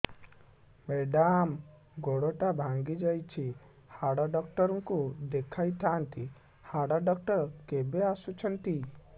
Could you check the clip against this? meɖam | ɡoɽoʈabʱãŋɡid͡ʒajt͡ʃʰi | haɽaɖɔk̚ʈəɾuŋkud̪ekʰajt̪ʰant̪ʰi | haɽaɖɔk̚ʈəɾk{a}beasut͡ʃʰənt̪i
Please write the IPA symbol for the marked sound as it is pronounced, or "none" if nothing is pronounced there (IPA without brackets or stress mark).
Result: e